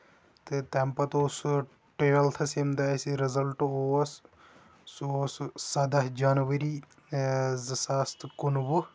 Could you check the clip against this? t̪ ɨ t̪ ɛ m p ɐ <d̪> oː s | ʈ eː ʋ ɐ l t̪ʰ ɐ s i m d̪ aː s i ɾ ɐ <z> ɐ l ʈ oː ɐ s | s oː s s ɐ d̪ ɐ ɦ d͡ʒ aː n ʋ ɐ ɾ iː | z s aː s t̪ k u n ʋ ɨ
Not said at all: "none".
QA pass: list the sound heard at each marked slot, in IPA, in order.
t̪, z

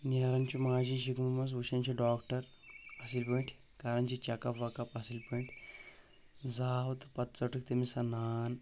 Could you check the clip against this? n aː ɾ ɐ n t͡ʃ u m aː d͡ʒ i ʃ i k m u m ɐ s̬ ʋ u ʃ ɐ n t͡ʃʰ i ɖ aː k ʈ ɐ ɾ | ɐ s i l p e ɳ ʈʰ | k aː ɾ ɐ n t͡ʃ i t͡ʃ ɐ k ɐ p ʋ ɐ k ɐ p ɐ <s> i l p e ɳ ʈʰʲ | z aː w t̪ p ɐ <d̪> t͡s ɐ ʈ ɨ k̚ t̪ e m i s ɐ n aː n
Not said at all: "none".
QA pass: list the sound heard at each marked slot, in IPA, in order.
s, t̪

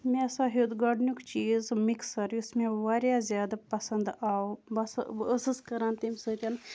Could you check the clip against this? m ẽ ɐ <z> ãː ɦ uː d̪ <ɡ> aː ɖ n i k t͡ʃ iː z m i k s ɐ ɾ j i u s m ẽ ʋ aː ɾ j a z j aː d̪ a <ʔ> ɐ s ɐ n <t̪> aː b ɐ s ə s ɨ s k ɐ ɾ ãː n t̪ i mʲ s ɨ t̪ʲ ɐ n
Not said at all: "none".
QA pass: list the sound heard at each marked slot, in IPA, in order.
s, ɡ, p, d̪

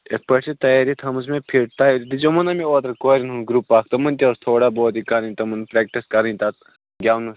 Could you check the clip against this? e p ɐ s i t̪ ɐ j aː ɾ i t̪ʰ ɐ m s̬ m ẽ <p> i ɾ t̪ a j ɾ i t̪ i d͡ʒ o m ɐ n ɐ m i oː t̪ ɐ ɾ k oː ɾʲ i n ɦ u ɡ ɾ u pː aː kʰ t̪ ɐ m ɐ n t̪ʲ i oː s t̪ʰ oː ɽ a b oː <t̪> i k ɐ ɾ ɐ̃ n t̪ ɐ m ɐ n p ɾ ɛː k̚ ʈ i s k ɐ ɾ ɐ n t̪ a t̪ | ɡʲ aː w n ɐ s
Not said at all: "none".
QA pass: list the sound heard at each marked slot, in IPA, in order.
pʰ, t̪

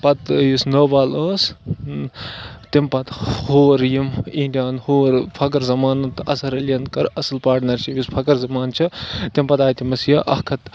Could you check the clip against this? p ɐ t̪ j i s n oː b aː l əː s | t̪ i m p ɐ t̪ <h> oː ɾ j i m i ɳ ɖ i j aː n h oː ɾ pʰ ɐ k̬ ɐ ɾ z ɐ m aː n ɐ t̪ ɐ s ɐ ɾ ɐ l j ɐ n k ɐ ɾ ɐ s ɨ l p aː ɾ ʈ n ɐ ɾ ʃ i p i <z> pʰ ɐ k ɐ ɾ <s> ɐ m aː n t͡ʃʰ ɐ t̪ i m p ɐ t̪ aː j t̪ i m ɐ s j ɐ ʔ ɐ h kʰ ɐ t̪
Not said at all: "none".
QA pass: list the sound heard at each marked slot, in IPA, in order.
h, s, z

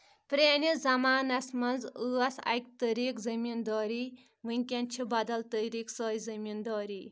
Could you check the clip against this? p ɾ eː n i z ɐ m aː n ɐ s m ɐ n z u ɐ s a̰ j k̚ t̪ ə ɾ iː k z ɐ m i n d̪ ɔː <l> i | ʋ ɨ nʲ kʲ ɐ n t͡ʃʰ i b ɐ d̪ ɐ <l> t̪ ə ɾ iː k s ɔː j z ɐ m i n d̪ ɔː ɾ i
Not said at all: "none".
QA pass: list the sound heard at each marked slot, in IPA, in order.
ɾ, l

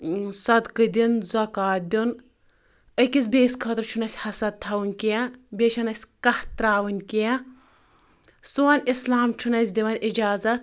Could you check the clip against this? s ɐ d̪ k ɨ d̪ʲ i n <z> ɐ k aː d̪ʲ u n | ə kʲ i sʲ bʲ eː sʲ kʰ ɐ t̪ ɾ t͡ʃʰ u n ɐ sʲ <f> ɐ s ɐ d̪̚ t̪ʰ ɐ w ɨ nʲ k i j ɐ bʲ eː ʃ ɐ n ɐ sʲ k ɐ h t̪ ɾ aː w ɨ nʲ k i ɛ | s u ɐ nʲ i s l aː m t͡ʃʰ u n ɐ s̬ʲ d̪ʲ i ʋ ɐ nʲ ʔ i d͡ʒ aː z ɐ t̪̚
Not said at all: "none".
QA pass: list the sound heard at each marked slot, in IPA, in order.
z, h

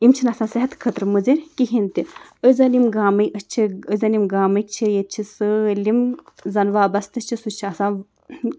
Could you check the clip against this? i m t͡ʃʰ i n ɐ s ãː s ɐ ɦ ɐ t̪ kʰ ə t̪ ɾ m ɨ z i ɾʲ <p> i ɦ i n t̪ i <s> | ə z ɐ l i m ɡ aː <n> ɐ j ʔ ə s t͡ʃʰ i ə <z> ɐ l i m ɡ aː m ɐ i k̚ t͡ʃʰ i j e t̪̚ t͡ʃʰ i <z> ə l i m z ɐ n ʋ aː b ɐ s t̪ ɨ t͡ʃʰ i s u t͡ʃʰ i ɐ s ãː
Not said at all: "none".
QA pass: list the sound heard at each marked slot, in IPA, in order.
k, none, m, z, s

